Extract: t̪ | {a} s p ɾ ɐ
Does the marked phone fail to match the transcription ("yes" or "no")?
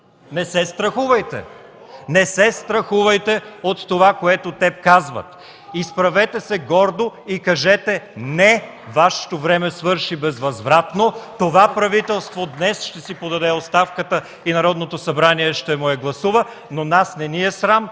yes